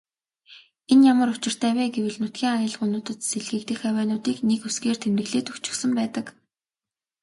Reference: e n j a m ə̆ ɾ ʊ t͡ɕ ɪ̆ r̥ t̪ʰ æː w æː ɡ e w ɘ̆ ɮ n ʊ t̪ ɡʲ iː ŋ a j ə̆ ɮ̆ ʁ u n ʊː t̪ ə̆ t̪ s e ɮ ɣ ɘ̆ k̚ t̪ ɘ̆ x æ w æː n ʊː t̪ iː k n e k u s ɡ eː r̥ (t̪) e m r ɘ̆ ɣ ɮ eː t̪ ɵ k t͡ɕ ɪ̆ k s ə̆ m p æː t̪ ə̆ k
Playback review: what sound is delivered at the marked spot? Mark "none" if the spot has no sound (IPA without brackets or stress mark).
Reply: t̪ʰ